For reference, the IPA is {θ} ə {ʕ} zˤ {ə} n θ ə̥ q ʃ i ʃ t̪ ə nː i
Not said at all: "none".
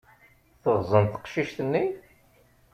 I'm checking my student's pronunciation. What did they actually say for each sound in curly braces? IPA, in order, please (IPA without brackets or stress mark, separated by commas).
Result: θ, ʁ, ə